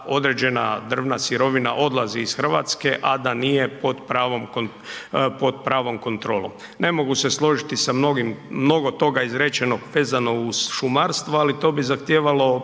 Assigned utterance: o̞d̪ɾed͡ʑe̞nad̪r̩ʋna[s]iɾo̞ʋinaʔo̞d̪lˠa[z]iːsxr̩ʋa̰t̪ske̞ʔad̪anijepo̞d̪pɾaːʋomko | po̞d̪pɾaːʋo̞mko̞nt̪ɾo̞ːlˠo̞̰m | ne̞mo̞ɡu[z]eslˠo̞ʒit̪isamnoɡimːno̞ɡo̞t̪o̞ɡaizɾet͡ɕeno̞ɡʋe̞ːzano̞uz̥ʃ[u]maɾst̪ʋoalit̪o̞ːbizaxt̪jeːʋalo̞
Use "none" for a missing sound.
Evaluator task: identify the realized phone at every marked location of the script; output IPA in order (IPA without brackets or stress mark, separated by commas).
s, z, s, u